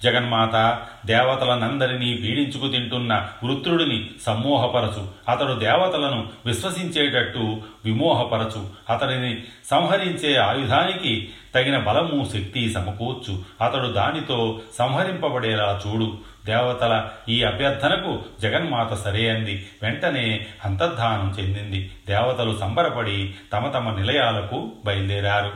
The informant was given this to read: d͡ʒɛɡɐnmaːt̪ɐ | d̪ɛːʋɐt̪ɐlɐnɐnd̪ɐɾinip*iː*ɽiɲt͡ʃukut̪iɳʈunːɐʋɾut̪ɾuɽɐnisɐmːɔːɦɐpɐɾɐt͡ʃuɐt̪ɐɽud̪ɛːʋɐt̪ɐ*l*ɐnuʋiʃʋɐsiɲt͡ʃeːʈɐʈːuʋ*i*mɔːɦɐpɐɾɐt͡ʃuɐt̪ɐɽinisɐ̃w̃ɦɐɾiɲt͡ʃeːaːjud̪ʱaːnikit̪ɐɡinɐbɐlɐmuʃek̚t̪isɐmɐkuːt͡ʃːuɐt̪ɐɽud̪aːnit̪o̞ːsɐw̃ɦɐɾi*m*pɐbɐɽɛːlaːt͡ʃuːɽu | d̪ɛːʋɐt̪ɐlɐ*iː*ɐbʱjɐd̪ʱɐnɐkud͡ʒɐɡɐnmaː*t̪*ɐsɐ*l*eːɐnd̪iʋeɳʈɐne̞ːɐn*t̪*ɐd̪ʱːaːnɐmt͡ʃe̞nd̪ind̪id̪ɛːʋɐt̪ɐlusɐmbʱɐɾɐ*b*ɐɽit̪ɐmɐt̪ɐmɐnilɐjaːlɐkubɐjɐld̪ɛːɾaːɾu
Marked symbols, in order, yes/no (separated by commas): yes, yes, yes, yes, yes, yes, no, yes, no